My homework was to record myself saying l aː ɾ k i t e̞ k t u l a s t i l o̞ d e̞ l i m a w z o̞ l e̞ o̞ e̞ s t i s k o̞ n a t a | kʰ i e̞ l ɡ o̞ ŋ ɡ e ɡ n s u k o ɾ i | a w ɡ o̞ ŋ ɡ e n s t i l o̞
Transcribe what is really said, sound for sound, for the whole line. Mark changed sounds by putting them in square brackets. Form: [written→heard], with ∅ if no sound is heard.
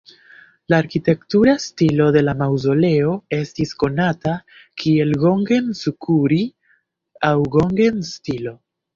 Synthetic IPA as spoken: l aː ɾ k i t e̞ k t u [l→ɾ] a s t i l o̞ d e̞ l [i→a] m a w z o̞ l e̞ o̞ e̞ s t i s k o̞ n a t a | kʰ i e̞ l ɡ o̞ ŋ ɡ e [ɡ→∅] n s u k [o→u] ɾ i | a w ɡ o̞ ŋ ɡ e n s t i l o̞